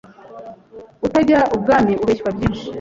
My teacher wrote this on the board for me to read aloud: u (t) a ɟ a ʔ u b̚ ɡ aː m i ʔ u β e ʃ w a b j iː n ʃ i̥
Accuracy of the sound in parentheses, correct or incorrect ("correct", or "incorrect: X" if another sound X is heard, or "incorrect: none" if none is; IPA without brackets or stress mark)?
correct